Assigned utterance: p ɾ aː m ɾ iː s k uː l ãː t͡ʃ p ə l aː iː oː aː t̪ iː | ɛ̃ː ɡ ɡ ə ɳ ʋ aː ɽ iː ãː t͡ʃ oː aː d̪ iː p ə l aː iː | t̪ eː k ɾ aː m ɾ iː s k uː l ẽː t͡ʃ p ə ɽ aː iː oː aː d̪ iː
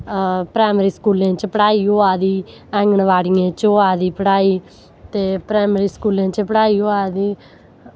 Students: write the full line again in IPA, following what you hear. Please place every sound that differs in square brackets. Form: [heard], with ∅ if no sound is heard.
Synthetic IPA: p ɾ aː m ɾ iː s k uː l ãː t͡ʃ p ə [ɽ] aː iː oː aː [d̪] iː | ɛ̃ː [ŋ] ɡ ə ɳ ʋ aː ɽ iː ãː t͡ʃ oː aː d̪ iː p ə [ɽ] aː iː | t̪ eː [p] ɾ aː m ɾ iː s k uː l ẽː t͡ʃ p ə ɽ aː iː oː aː d̪ iː